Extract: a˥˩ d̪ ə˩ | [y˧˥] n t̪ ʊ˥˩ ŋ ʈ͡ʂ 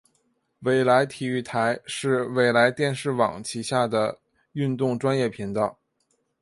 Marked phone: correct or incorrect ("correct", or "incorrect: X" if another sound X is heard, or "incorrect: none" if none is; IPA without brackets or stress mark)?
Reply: incorrect: y˥˧